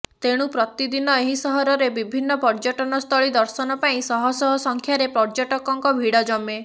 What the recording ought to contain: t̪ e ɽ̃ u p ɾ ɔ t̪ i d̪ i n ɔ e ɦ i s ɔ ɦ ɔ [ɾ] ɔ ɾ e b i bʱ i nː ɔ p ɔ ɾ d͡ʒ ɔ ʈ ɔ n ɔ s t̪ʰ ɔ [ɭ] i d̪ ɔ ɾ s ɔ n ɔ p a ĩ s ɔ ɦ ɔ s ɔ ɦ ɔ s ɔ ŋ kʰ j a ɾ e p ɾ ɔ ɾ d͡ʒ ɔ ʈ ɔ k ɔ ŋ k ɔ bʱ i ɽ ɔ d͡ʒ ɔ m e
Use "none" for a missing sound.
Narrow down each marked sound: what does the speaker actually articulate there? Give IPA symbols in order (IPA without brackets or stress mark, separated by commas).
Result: ɾ, ɭ